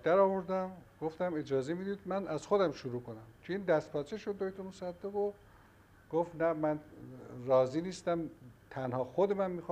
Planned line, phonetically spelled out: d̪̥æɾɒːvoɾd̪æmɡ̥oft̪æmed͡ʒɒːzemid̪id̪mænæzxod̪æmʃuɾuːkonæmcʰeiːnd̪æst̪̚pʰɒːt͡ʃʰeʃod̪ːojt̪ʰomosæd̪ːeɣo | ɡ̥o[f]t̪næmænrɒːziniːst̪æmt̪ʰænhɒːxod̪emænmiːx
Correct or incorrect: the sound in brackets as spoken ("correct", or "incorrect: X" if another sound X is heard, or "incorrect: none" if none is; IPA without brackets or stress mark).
correct